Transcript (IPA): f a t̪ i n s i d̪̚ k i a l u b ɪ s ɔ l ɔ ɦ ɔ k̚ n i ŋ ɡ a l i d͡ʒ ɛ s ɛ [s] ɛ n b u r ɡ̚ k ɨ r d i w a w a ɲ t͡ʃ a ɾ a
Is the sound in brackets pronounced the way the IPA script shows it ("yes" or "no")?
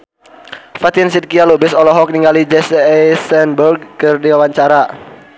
yes